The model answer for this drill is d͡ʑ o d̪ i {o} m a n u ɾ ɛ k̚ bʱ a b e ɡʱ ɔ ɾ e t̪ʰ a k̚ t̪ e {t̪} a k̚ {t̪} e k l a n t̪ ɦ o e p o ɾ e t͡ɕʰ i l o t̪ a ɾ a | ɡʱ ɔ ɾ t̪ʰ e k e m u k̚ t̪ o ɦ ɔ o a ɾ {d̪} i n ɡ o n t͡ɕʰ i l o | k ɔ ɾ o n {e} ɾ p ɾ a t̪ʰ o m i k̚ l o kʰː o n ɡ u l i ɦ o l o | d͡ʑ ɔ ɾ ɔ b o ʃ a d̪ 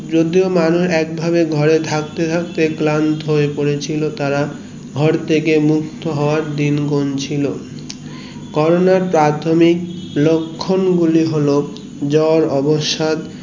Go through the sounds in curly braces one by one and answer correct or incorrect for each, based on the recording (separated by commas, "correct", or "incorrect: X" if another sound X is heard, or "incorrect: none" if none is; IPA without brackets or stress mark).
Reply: correct, incorrect: t̪ʰ, correct, correct, incorrect: a